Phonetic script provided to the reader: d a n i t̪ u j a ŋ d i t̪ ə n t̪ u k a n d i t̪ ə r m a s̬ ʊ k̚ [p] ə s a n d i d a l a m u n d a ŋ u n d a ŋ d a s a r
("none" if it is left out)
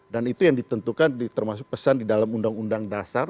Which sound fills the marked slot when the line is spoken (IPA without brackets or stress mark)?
p